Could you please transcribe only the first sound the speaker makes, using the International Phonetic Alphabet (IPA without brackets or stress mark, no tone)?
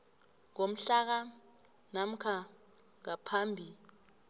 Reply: ŋ